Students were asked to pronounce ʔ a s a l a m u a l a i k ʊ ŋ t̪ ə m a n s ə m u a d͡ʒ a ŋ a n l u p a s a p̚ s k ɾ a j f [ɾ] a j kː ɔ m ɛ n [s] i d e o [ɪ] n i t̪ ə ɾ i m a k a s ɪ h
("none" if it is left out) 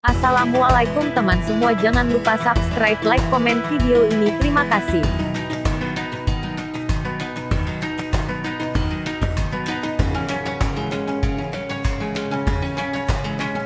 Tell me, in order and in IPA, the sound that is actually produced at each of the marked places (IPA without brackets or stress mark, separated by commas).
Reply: l, f, i